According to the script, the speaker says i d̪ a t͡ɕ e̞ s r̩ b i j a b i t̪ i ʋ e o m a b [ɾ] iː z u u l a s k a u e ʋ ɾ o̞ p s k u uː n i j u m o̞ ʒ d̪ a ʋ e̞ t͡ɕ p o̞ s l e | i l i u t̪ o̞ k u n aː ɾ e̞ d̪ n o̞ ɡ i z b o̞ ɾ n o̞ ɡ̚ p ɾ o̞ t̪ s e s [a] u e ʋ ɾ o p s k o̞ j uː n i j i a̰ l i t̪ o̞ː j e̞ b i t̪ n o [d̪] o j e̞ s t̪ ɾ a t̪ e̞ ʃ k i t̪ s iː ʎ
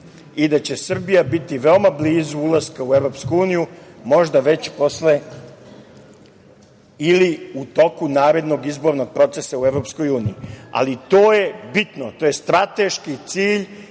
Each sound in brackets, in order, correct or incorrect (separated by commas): incorrect, correct, incorrect